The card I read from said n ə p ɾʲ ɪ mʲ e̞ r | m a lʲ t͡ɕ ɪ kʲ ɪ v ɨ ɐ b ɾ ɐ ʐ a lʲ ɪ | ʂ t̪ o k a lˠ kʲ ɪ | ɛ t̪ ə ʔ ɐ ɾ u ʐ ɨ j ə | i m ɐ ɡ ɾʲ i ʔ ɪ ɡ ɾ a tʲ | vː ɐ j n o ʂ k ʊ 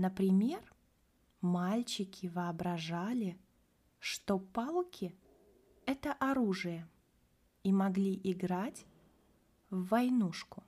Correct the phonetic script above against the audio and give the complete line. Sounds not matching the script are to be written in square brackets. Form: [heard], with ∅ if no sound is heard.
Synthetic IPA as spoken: n ə p ɾʲ ɪ mʲ e̞ r | m a lʲ t͡ɕ ɪ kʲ ɪ v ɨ ɐ b ɾ ɐ ʐ a lʲ ɪ | ʂ t̪ o [p] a lˠ kʲ ɪ | ɛ t̪ ə ʔ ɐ ɾ u ʐ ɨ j ə | i m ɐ ɡ [lʲ] i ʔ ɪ ɡ ɾ a tʲ | vː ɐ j n [u] ʂ k ʊ